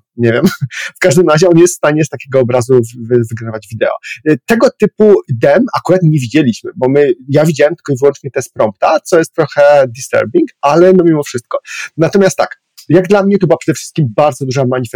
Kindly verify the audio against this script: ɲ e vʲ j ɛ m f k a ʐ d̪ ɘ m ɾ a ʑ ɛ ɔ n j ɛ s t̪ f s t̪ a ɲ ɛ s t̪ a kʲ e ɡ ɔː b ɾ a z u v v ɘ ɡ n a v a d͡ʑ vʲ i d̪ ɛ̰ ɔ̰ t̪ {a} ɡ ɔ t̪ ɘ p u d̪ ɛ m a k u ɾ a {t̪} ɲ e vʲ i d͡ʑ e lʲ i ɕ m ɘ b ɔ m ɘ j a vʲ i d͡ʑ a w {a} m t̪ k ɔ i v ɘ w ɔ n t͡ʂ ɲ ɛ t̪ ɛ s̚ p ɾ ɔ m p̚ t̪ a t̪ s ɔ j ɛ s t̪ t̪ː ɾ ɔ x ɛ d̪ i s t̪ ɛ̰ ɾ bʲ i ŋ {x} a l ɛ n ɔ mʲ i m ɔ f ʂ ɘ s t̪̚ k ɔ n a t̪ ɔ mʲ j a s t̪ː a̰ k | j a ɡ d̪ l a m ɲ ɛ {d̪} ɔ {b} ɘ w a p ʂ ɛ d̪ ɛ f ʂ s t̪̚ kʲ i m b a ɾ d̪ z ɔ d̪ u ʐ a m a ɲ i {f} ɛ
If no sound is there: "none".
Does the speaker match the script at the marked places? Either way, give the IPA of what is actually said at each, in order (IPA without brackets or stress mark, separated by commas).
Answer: ɛ, t̪, ɛ, k, t̪, b, f